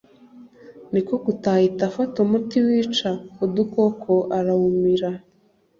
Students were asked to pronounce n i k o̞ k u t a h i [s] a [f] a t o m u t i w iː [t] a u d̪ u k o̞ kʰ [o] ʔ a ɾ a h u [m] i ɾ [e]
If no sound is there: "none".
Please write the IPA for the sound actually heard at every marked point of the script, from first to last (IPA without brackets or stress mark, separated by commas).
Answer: t, f, t͡ʃ, o, m, a